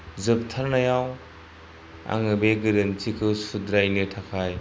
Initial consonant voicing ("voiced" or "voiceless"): voiced